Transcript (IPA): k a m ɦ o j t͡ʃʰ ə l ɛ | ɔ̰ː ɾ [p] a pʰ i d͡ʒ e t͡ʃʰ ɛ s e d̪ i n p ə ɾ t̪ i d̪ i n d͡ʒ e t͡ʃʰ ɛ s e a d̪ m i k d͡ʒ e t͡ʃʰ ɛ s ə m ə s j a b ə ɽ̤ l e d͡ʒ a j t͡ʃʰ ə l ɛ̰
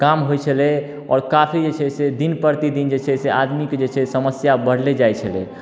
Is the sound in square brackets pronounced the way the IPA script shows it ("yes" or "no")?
no